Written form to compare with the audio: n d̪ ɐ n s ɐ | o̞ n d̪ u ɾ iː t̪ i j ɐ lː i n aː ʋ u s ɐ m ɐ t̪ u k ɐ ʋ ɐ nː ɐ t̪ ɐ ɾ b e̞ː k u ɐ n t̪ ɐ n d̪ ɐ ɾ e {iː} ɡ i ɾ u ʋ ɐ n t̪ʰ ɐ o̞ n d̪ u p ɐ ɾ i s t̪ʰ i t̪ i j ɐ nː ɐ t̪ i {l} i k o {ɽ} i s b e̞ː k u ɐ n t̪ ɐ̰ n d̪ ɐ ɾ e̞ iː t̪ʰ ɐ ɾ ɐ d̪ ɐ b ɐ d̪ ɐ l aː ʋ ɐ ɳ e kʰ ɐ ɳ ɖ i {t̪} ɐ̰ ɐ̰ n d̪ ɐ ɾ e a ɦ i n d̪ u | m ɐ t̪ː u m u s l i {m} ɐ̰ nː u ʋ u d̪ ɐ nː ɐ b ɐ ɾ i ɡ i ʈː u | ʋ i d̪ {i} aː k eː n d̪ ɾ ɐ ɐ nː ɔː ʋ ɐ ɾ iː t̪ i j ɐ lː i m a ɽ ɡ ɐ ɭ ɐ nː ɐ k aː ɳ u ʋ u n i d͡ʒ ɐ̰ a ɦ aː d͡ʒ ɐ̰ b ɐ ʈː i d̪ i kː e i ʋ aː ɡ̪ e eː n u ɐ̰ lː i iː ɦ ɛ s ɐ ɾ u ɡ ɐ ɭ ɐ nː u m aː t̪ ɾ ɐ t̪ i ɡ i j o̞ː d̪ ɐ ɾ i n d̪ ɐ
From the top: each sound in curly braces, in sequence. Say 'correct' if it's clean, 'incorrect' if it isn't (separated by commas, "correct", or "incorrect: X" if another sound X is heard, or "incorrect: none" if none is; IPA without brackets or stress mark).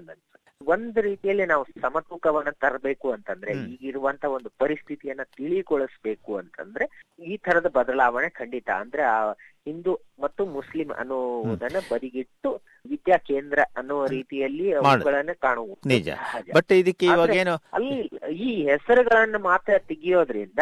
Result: correct, incorrect: ɭ, incorrect: ɭ, correct, correct, incorrect: j